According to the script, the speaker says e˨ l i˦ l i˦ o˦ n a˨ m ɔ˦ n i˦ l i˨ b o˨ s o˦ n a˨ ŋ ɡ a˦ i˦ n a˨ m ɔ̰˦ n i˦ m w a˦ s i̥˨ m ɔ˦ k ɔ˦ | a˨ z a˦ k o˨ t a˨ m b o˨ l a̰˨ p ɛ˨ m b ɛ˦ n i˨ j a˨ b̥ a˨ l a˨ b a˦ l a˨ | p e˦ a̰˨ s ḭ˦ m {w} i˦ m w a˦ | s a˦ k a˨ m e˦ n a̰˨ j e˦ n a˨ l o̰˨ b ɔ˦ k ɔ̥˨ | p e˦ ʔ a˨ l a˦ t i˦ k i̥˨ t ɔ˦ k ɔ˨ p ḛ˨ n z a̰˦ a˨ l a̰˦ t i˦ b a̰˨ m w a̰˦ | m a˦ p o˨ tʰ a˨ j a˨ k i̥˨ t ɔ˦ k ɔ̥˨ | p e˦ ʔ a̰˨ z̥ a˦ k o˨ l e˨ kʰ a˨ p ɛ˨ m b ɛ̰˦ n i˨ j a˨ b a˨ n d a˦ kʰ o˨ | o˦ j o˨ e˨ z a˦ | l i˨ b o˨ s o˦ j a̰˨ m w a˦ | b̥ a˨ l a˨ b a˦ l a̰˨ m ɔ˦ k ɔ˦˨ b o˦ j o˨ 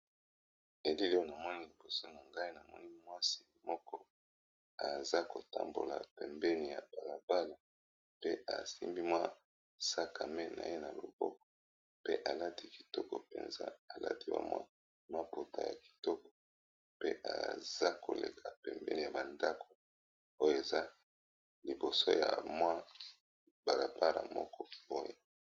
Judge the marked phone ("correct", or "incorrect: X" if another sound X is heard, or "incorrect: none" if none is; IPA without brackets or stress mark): incorrect: b